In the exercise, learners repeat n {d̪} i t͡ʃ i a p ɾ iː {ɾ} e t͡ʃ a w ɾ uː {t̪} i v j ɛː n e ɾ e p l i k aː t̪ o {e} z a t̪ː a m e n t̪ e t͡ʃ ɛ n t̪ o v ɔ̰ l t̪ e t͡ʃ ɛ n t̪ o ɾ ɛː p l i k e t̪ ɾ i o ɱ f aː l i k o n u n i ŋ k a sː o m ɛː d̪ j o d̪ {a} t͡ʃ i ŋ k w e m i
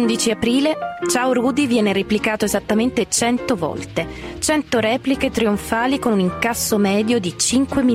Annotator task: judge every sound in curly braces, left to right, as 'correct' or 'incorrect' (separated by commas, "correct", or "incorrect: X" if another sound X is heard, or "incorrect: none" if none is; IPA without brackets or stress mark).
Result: correct, incorrect: l, incorrect: d̪, correct, incorrect: i